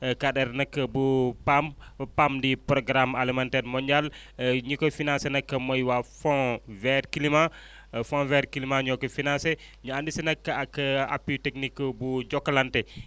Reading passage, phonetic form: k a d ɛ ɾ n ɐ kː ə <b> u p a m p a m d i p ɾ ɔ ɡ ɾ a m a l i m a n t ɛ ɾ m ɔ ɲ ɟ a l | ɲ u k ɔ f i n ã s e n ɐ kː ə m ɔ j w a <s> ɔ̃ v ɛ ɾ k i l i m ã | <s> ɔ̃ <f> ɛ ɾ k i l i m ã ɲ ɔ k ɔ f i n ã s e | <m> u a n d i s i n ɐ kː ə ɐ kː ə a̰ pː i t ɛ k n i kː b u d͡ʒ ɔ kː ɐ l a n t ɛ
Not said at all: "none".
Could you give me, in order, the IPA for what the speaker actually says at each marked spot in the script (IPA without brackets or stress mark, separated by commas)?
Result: b, f, f, v, ɲ